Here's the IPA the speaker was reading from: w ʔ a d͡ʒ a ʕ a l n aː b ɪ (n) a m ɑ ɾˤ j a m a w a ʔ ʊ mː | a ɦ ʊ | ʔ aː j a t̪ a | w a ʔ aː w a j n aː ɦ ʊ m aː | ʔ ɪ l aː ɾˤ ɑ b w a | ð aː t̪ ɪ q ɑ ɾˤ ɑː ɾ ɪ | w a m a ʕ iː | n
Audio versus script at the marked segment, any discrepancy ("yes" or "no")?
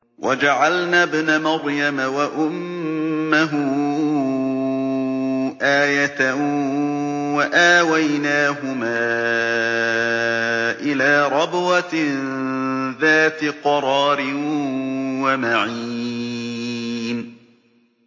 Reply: no